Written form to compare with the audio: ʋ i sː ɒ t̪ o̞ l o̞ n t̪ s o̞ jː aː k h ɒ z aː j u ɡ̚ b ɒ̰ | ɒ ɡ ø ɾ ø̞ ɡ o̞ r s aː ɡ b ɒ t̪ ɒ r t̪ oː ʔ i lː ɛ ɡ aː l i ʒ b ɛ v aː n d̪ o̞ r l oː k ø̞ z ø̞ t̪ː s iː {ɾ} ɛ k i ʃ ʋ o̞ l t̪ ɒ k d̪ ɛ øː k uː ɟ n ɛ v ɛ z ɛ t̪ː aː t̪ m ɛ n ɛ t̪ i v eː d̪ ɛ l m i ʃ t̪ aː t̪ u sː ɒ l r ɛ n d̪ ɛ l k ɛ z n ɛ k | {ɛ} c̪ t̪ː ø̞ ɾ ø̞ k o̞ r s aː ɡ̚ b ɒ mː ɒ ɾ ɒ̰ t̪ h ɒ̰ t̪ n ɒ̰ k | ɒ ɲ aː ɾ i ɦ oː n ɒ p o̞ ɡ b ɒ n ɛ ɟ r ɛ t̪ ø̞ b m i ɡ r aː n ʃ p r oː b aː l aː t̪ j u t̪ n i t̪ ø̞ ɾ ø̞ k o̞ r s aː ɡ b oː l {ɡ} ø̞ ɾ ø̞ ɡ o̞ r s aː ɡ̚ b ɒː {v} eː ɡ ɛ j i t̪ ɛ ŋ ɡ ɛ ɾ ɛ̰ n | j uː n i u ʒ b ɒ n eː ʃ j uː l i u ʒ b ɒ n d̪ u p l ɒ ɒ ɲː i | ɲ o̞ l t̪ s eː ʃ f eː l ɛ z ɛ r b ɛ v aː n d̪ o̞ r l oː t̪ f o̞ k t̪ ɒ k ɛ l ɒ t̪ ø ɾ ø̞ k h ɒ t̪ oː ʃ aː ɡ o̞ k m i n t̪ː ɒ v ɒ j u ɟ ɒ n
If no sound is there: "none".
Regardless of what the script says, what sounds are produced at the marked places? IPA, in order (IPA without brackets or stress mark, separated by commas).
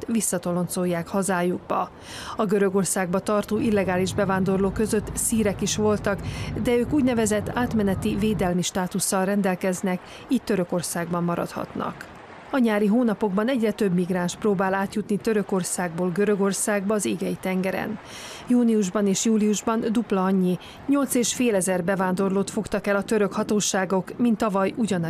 ɾ, i, ɡ, z